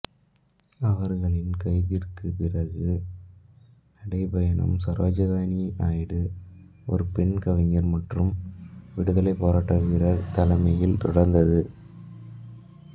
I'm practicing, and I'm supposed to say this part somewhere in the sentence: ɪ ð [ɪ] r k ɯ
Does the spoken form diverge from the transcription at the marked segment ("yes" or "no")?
no